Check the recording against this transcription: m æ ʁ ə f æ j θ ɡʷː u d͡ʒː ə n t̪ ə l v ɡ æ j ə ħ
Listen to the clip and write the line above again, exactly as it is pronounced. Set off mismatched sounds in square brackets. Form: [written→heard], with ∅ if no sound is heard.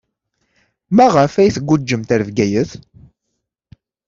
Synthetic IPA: m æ ʁ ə f æ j θ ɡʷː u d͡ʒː ə [n→m] t̪ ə [l→ɾ] v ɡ æ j ə [ħ→θ]